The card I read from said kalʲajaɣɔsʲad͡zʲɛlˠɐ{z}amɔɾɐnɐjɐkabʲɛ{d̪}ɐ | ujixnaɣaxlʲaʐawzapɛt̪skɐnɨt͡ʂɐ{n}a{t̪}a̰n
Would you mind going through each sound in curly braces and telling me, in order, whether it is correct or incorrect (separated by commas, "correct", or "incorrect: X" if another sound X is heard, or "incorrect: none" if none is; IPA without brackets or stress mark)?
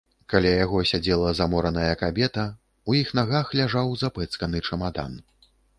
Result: correct, incorrect: t̪, incorrect: m, incorrect: d̪